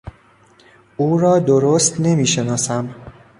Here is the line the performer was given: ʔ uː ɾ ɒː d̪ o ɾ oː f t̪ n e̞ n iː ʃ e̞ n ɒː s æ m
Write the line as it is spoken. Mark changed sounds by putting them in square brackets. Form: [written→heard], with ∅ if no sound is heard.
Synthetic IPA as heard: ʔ uː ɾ ɒː d̪ o ɾ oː [f→s] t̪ n e̞ [n→m] iː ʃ e̞ n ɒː s æ m